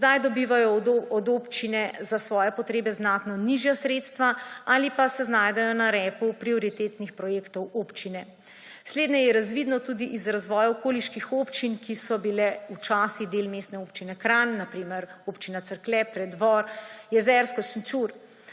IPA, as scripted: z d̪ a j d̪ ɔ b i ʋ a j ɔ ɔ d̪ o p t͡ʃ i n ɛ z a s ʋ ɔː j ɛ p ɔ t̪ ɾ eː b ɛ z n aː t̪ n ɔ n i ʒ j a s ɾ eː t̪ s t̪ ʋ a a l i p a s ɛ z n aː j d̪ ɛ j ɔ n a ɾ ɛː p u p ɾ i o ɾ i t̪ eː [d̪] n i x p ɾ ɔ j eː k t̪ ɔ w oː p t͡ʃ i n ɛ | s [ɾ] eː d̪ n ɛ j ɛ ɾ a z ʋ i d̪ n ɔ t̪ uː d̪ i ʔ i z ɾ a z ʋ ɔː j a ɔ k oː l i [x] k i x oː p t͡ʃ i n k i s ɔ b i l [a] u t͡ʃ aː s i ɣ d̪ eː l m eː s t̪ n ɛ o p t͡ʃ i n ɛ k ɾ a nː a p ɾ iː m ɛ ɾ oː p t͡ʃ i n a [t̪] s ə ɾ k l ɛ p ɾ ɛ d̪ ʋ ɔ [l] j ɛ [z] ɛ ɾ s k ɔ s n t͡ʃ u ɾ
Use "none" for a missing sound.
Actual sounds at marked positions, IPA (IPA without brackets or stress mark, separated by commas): t̪, l, ʃ, ɛ, t̪, ɾ, z